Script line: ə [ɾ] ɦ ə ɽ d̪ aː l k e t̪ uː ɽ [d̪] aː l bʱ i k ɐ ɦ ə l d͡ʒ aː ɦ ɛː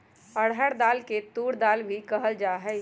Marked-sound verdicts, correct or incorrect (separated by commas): incorrect, correct